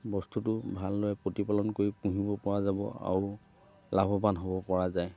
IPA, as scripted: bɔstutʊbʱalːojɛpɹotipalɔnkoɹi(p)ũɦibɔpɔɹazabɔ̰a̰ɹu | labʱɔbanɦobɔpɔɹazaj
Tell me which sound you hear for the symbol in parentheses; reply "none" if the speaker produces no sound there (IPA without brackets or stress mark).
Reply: p